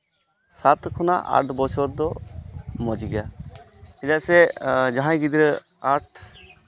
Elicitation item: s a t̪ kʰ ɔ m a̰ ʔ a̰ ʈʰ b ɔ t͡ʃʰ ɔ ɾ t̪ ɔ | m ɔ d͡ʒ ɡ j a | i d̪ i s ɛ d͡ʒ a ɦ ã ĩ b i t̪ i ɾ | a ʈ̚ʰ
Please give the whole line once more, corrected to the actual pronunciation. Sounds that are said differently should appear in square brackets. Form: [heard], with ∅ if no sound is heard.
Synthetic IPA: s a t̪ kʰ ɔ [n] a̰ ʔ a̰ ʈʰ b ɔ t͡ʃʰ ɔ ɾ [d̪] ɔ | m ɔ d͡ʒ ɡ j a | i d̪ [a] s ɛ d͡ʒ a ɦ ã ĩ [ɡ] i [d̪] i ɾ | a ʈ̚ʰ